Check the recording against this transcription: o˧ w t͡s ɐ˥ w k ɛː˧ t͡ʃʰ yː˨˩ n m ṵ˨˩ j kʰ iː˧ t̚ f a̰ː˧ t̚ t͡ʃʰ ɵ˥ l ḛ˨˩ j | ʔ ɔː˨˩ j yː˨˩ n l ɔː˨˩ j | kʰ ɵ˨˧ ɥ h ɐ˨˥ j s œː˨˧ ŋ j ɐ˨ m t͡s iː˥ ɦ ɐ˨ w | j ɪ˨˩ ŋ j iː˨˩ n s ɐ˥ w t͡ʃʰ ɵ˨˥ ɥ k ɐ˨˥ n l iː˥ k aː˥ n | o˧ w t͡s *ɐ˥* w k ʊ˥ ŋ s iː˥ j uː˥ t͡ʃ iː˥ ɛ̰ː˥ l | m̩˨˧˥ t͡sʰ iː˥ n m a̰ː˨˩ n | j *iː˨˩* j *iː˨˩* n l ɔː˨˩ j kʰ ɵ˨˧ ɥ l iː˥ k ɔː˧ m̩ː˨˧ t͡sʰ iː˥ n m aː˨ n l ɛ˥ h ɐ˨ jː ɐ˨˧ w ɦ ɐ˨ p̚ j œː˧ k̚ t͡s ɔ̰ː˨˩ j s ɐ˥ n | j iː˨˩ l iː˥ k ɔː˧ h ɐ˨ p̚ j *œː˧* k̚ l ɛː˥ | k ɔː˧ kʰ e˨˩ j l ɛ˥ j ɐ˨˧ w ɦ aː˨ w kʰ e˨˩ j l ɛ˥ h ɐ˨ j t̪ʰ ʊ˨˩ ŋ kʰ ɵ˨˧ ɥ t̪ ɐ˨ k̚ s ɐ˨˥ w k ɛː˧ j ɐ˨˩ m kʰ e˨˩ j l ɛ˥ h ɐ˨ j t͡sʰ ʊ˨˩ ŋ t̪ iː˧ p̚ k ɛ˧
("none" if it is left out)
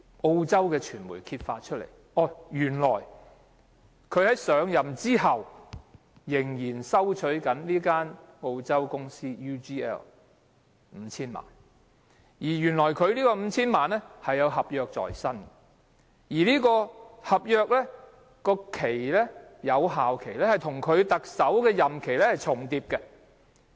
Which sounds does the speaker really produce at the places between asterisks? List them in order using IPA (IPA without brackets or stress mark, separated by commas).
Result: ɐ˥, iː˨˩, yː˨˩, œː˧